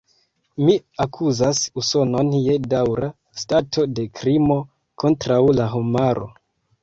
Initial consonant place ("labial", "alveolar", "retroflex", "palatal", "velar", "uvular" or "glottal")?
labial